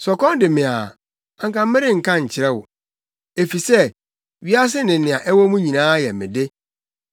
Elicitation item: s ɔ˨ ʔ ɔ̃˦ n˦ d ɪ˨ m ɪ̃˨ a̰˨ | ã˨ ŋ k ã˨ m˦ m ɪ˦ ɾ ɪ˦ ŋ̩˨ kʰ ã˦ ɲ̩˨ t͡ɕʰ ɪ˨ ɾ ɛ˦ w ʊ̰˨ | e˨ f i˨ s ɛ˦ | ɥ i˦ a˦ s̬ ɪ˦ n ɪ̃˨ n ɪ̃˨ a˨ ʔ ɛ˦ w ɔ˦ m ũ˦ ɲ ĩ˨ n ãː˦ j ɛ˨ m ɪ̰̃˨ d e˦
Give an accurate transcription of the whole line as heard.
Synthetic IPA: s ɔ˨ k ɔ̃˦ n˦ d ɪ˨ m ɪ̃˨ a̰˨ | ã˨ ŋ k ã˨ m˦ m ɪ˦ ɾ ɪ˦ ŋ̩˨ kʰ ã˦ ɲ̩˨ t͡ɕʰ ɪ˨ ɾ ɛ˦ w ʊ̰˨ | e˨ f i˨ s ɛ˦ | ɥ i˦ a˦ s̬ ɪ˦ n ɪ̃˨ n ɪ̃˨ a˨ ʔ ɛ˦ w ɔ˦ m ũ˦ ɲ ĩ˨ n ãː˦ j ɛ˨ m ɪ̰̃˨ d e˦